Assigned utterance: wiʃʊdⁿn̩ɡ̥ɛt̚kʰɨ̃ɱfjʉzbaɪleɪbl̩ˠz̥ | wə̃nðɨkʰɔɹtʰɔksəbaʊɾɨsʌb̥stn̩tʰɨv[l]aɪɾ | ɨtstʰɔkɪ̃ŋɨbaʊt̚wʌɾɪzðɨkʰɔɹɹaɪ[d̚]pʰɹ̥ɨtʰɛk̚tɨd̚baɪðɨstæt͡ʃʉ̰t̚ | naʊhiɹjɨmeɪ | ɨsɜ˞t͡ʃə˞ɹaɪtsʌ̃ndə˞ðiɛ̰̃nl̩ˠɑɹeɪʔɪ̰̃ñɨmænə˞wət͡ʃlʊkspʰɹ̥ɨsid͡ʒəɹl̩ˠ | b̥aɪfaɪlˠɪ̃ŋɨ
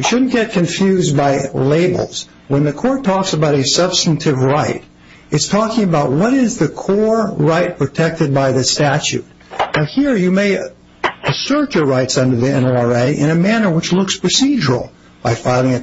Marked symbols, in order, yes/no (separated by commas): no, no